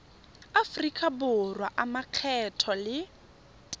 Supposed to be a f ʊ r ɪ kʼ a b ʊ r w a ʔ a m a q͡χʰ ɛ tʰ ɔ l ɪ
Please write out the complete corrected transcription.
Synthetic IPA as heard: a f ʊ r i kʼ a b ʊ r w a ʔ a m a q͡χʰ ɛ tʰ ɔ l ɪ